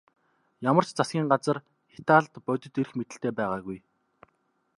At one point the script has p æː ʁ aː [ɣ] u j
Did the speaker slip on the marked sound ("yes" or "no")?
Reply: no